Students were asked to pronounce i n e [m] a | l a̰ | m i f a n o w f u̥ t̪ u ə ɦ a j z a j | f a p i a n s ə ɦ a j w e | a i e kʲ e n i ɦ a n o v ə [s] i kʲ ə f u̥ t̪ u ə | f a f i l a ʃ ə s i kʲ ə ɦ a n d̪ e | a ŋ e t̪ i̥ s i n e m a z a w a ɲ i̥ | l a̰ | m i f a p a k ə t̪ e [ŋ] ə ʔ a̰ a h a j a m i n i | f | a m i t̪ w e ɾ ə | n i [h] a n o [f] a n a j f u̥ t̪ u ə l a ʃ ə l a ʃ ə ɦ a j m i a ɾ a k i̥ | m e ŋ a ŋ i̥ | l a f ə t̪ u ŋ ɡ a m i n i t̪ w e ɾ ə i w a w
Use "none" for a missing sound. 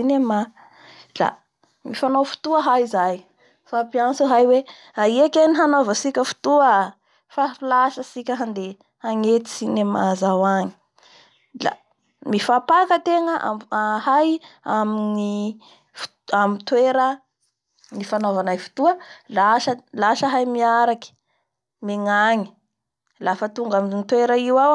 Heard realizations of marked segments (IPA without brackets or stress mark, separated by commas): m, s, ŋ, f, v